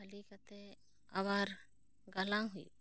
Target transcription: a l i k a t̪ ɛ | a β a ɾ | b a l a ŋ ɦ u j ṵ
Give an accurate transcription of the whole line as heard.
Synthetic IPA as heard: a l i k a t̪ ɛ | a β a ɾ | ɡ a l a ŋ ɦ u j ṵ

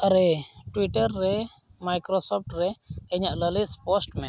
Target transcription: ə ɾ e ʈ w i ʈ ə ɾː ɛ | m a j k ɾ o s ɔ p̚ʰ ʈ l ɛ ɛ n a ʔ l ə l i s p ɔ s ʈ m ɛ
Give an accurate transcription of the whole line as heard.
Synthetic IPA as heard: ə ɾ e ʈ w i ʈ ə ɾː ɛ | m a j k ɾ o s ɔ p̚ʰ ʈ ɾ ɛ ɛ ɲ a ʔ l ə l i s p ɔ s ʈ m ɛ

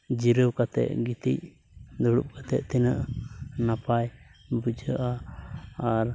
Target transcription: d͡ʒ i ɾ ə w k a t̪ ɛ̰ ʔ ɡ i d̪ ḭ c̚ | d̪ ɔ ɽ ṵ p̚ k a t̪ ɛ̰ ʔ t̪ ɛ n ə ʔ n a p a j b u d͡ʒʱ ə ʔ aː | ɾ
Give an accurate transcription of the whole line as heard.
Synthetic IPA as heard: d͡ʒ i ɾ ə w k a t̪ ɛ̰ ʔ ɡ i t̪ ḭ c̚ | d̪ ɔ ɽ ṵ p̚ k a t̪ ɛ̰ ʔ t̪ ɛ n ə ʔ n a p a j b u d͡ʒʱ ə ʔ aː | ɾ

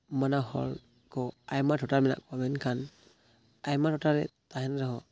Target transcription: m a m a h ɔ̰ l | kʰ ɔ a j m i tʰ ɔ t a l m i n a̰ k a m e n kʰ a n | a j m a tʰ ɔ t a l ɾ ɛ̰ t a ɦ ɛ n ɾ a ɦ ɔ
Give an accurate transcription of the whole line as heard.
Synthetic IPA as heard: m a n a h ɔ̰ l | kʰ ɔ a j m a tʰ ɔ t a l m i n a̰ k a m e n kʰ a n | a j m a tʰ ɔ t a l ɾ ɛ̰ t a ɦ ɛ n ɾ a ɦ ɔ

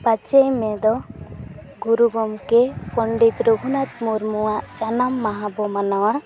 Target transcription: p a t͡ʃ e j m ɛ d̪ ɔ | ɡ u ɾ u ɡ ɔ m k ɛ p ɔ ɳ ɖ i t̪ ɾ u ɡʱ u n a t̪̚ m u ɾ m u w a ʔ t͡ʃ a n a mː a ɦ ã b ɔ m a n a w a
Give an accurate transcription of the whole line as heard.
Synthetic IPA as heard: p a t͡ʃ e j m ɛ d̪ ɔ | ɡ u ɾ u ɡ ɔ m k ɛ p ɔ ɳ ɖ i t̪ ɾ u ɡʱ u n a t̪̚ m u ɾ m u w a ʔ t͡ʃ a n a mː a ɦ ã b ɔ m a n a w a

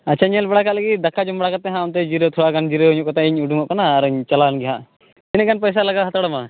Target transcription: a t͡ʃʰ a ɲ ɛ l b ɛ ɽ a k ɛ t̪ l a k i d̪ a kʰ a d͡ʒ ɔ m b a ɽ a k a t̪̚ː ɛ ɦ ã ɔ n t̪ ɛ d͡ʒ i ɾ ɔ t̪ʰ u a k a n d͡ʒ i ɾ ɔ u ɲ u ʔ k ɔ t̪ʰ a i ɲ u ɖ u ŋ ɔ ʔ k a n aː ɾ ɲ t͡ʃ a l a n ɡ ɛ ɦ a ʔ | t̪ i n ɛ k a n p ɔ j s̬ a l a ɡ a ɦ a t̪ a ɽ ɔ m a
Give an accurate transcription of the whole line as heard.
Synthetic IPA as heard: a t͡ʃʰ a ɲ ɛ l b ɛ ɽ a k a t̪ l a ɡ i d̪ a kʰ a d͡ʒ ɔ m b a ɽ a k a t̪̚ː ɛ ɦ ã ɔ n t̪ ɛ d͡ʒ i ɾ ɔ t̪ʰ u a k a n d͡ʒ i ɾ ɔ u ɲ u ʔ k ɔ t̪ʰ a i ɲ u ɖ u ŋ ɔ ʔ k a n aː ɾ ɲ t͡ʃ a l a n ɡ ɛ ɦ a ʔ | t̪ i n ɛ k a n p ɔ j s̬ a l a ɡ a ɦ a t̪ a ɽ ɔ m a

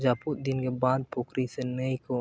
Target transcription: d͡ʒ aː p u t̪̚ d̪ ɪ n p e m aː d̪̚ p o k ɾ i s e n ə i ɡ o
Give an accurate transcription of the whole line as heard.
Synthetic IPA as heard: d͡ʒ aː p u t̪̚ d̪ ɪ n k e b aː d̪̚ p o k ɾ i s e n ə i k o

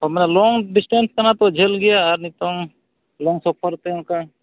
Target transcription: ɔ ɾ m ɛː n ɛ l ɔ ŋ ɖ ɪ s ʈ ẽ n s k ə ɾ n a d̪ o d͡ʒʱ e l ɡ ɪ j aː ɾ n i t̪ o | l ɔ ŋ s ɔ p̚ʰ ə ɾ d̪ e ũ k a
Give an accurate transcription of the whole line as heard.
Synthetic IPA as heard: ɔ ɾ m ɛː n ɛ l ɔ ŋ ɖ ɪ s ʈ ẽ n s k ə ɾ n a t̪ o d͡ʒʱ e l ɡ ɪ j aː ɾ n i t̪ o | l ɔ ŋ s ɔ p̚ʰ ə ɾ t̪ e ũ k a

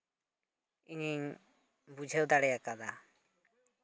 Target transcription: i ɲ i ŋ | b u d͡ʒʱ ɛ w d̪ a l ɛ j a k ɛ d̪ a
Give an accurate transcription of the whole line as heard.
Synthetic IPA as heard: i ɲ i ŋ | b u d͡ʒʱ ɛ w d̪ a ɽ ɛ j a k a d̪ a

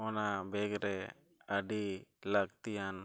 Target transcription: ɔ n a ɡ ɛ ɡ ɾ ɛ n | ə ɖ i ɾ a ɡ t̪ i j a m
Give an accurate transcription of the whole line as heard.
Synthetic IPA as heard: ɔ n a b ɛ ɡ ɾ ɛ | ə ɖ i l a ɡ t̪ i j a n

